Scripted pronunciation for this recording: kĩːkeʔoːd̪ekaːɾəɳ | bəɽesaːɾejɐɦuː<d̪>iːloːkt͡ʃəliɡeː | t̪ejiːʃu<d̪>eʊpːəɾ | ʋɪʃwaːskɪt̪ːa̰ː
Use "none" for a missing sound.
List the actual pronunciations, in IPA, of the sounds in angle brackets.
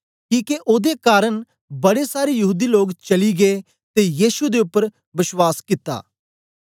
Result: d̪, d̪

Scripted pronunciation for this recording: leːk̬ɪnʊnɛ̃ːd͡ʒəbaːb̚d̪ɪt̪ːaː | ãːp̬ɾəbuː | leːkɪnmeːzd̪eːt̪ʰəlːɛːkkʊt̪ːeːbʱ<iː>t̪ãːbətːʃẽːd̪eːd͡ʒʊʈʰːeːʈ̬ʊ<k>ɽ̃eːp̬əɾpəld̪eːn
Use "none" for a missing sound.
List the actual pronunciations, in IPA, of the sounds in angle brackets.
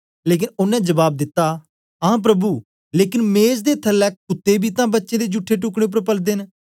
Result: iː, k

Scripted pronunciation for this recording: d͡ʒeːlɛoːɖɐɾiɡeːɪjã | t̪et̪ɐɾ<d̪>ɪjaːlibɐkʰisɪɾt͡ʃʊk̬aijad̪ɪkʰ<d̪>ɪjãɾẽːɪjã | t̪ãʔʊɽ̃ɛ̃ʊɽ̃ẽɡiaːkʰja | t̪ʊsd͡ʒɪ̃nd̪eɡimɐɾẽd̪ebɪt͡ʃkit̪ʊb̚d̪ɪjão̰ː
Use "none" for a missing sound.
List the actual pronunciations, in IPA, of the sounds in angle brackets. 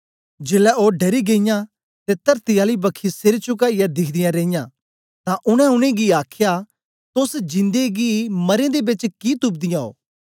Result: t̪, d̪

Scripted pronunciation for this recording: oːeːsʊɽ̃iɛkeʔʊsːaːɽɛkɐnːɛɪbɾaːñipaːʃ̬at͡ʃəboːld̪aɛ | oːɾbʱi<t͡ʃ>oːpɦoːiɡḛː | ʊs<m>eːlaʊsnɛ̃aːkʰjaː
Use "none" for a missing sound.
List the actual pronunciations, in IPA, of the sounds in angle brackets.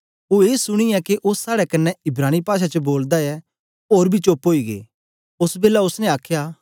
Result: t͡ʃ, b

